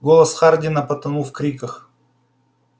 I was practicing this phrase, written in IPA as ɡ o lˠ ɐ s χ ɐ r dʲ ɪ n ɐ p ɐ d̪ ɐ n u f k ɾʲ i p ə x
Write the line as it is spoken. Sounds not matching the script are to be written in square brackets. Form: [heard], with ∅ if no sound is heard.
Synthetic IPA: ɡ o lˠ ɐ s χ [a] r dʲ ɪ n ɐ p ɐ [t̪] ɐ n u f k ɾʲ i [k] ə x